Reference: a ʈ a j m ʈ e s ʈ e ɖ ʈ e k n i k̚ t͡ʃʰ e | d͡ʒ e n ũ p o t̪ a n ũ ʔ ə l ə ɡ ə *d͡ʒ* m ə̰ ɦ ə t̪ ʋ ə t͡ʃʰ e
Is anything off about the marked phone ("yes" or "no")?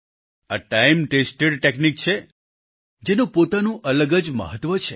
no